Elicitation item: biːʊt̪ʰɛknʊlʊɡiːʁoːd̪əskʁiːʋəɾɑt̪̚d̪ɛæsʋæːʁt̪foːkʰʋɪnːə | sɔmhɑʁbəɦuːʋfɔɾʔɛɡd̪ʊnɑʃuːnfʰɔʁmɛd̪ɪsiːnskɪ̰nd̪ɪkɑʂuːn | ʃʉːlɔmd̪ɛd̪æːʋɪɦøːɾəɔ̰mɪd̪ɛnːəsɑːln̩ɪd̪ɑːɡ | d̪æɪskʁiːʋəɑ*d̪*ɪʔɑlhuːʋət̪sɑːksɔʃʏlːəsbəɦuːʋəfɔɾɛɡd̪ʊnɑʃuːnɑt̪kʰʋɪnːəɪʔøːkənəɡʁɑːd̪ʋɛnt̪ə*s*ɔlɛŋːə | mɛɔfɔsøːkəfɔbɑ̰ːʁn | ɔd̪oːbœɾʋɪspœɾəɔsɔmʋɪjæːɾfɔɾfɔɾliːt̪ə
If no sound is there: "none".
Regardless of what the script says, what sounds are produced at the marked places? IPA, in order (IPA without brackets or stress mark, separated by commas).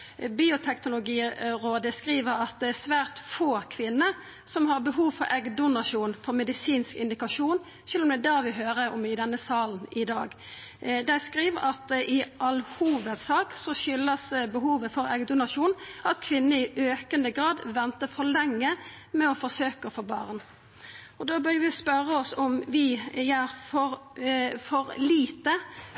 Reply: t̪, f